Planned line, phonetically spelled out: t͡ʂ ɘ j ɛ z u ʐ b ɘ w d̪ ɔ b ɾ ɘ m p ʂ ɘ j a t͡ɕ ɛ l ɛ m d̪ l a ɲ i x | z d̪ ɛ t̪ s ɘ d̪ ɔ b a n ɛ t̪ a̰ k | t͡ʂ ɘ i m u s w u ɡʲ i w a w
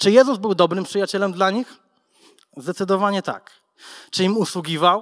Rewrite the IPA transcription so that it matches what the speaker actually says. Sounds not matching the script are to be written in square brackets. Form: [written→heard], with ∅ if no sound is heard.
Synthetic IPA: t͡ʂ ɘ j ɛ z u [ʐ→z] b ɘ w d̪ ɔ b ɾ ɘ m p ʂ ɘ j a t͡ɕ ɛ l ɛ m d̪ l a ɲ i x | z d̪ ɛ t̪ s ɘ d̪ ɔ [b→v] a [n→ɲ] ɛ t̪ a̰ k | t͡ʂ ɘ i m u s w u ɡʲ i [w→v] a w